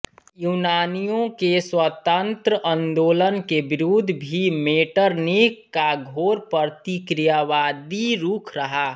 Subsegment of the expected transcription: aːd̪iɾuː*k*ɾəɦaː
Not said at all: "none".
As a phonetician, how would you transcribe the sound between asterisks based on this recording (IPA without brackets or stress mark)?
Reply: kʰ